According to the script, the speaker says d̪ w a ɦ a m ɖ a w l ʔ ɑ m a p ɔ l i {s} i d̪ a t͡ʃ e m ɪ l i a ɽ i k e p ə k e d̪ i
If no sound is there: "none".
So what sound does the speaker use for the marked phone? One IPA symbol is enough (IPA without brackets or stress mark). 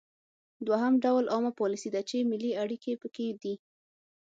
s